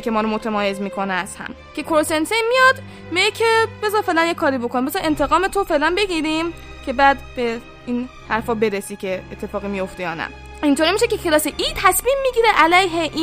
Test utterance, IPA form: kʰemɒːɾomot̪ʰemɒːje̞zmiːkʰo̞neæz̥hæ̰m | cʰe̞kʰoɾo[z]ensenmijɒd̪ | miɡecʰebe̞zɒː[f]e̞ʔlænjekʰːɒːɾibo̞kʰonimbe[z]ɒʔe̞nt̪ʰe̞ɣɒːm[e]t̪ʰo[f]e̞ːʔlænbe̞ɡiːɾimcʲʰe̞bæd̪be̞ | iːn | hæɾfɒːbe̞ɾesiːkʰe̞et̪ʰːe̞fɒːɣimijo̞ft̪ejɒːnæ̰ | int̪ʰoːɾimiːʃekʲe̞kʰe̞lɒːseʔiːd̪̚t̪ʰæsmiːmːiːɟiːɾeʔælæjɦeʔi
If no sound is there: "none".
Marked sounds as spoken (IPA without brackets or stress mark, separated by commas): s, f, z, e, f